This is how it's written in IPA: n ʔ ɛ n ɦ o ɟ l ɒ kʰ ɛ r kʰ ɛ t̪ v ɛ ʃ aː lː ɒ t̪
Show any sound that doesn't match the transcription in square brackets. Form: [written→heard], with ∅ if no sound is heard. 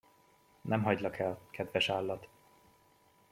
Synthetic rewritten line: n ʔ ɛ [n→m] ɦ [o→ɒ] ɟ l ɒ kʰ ɛ [r→l] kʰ ɛ [t̪→d̪] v ɛ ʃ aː lː ɒ t̪